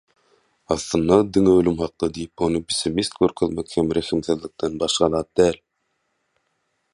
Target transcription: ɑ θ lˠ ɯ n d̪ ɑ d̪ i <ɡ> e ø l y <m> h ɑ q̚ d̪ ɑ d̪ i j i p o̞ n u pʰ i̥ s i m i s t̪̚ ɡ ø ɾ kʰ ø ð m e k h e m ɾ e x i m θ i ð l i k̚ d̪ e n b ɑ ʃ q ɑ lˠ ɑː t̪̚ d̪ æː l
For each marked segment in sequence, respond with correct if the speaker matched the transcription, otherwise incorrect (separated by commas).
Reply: incorrect, correct